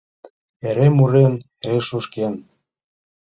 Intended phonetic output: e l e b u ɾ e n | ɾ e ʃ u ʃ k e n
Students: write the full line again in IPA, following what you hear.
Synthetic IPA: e ɾ e m u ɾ e n | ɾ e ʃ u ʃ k e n